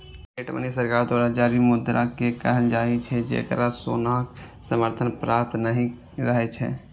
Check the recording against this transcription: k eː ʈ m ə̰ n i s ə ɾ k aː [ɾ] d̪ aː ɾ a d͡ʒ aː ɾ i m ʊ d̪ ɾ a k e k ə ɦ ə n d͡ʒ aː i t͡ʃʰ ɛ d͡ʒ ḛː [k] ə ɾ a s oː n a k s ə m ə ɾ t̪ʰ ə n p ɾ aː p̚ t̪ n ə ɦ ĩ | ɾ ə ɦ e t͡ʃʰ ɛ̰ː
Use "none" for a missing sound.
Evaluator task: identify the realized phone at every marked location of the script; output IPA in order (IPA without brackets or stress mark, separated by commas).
ɾ, k